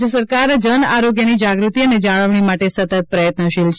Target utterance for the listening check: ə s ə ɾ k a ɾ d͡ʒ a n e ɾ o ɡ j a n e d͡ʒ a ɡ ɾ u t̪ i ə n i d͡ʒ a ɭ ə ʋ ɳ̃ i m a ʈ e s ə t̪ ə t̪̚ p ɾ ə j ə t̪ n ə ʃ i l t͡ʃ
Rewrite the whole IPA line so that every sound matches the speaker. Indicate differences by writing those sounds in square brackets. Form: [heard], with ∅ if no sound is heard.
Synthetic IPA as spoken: ə s ə ɾ k a ɾ d͡ʒ [ə] n [a] ɾ o ɡ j [ə] n [i] d͡ʒ a ɡ ɾ u t̪ i ə n [e] d͡ʒ a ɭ ə ʋ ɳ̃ i m a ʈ e s ə t̪ ə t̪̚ p ɾ ə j ə t̪ n ə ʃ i l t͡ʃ